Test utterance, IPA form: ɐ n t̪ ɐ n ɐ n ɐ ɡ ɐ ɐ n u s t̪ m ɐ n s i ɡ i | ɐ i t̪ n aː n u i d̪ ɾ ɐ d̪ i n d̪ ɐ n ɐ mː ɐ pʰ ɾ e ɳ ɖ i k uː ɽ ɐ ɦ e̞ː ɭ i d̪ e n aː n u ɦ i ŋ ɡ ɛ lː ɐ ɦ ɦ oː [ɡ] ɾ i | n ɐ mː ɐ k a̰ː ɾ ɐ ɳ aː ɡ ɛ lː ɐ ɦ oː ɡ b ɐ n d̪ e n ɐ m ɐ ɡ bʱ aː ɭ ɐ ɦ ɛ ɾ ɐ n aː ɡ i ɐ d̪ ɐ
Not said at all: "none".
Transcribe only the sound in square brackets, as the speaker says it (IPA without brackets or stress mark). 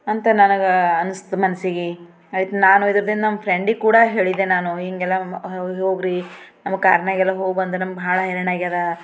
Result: ɡ